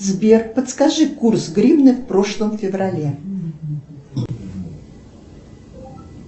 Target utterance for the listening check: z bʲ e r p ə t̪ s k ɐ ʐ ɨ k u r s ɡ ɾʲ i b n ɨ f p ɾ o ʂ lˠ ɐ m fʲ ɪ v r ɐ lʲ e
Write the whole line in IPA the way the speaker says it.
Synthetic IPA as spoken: z bʲ e r p ə t̪ s k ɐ ʐ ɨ k u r s ɡ ɾʲ i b n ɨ f p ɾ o ʂ lˠ ə m fʲ ɪ v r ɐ lʲ e